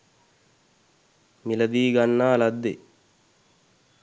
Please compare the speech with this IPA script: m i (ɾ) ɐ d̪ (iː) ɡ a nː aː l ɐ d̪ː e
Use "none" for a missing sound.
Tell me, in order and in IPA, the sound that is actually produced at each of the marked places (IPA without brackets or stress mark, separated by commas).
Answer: l, iː